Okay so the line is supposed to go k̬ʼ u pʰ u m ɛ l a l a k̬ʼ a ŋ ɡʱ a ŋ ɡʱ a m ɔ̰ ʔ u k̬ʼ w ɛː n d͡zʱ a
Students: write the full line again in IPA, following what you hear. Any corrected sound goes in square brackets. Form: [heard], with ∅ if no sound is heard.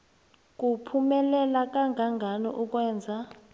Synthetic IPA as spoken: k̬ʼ u pʰ u m ɛ l [ɛ] l a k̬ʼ a ŋ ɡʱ a ŋ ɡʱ a [n] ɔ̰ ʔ u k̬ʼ w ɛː n d͡zʱ a

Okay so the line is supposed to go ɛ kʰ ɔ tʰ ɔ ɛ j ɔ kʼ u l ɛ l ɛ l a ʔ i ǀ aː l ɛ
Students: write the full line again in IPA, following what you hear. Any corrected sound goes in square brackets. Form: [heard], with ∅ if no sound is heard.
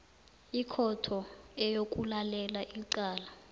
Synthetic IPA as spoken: [i] kʰ ɔ tʰ ɔ ɛ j [o] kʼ u l [a] l ɛ l a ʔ i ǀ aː l [a]

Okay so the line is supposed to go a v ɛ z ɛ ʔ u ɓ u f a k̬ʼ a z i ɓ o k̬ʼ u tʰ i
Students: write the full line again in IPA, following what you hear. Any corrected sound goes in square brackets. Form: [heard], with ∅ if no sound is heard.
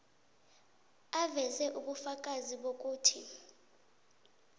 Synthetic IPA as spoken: a v ɛ z ɛ ʔ u ɓ u f a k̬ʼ a z i ɓ o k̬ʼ [uː] tʰ i

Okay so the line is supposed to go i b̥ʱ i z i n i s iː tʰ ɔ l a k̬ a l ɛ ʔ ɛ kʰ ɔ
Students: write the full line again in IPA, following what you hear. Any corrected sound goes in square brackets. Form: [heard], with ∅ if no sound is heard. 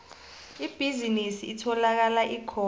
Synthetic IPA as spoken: i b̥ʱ i z i n i s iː tʰ ɔ l a k̬ a l [a] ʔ [i] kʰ ɔ

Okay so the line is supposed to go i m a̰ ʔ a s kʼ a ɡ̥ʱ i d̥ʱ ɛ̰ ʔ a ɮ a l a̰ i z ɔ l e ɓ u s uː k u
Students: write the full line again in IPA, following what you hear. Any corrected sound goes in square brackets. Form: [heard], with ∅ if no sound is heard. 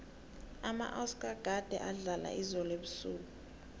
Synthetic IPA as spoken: [a] m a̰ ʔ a s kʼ a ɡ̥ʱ [a] d̥ʱ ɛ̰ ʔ a ɮ a l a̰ i z ɔ l e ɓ u s uː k u

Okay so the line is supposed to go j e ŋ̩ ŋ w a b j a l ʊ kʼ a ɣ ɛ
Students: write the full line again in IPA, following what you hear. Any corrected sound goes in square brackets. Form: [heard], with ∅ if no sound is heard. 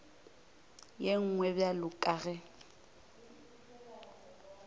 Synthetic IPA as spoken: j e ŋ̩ ŋ w [ɛ] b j a l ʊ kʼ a ɣ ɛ

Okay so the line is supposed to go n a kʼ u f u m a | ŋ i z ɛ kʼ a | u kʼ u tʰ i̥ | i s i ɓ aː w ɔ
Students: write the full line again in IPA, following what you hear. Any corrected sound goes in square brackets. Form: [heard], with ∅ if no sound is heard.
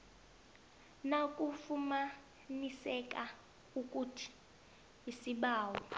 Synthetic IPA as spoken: n a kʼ u f u m a | [n] i [s] ɛ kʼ a | u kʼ u tʰ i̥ | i s i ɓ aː w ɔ

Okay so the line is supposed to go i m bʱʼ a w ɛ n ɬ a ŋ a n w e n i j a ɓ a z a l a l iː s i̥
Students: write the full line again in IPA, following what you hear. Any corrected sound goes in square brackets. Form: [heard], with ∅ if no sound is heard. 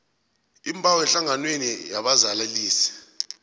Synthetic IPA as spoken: i m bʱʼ a w ɛ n ɬ a ŋ a n w e n i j a ɓ a z a l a l iː s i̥

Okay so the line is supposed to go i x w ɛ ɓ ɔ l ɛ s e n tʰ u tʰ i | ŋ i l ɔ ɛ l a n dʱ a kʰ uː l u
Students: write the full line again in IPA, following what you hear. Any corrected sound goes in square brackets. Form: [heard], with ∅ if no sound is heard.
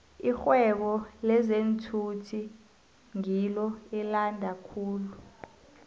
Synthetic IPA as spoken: i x w ɛ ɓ ɔ l ɛ [z] e n tʰ u tʰ i | ŋ i l ɔ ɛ l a n dʱ a kʰ uː l u

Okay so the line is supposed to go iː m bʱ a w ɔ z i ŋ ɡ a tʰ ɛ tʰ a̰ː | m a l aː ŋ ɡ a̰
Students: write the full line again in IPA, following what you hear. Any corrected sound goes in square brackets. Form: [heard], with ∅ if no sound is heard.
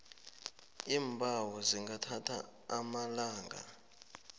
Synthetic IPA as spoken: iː m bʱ a w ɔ z i ŋ ɡ a tʰ [a] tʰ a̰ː | m a l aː ŋ ɡ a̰

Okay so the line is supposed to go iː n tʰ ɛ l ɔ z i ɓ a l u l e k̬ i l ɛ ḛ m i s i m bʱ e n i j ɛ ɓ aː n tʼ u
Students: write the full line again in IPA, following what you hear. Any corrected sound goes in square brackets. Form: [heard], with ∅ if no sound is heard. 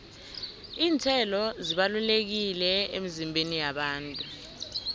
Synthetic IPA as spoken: iː n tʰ ɛ l ɔ z i ɓ a l u l e k̬ i l ɛ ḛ m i [z] i m bʱ e n i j [a] ɓ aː n tʼ u

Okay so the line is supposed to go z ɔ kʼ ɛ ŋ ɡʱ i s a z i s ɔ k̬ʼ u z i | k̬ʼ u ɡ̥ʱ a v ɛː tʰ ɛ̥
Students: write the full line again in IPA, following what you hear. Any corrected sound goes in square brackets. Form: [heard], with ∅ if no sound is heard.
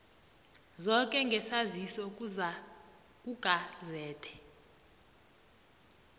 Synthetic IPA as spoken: z ɔ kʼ ɛ ŋ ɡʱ [ɛ] s a z i s ɔ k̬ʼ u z [a] | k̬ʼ u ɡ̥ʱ a [z] ɛː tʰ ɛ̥

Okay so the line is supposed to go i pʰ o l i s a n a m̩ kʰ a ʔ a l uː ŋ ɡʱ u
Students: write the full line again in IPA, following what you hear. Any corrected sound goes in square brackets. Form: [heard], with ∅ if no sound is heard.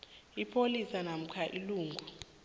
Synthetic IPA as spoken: i pʰ o l i s a n a m̩ kʰ a ʔ [i] l uː ŋ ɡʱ u

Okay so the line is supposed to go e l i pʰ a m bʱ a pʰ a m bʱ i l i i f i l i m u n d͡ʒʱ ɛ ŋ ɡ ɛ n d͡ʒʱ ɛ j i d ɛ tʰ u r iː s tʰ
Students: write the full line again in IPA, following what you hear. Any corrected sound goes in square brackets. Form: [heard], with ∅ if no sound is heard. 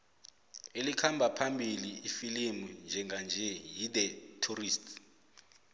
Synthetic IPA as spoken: e l i [kʰ] a m bʱ a pʰ a m bʱ i l i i f i l i m u n d͡ʒʱ ɛ ŋ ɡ [a] n d͡ʒʱ ɛ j i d ɛ tʰ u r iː s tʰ

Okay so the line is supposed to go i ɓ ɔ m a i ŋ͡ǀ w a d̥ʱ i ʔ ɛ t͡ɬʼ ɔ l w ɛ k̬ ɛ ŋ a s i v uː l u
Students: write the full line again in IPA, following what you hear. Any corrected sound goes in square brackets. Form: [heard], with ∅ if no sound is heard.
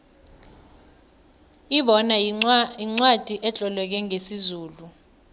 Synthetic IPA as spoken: i ɓ ɔ [n] a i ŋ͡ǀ w a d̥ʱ i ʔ ɛ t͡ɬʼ ɔ l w ɛ k̬ ɛ ŋ [e] s i [z] uː l u

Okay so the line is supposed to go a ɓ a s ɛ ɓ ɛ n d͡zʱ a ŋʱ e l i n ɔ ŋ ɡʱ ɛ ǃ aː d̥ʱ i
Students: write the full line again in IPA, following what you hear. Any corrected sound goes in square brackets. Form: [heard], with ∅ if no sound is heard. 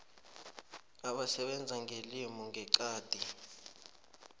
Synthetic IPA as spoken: a ɓ a s ɛ ɓ ɛ n d͡zʱ a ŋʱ e l i [m] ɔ ŋ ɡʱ ɛ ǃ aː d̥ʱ i

